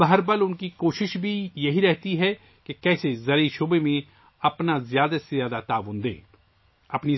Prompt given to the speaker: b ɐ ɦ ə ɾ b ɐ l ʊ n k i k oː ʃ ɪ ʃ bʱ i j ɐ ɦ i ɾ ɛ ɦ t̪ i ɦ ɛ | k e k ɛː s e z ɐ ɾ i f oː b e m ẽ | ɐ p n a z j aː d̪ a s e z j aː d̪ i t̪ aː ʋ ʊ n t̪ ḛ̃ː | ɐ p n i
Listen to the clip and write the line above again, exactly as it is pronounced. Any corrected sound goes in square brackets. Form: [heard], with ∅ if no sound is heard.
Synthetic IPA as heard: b ɐ ɦ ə ɾ b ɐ l ʊ n k i k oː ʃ ɪ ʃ bʱ i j ɐ ɦ i ɾ ɛ ɦ t̪ i ɦ ɛ | k e k ɛː s e z ɐ ɾ i [ʃ] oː b e m ẽ | ɐ p n a z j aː d̪ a s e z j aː d̪ [a] t̪ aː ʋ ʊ n [d̪] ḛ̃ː | ɐ p n i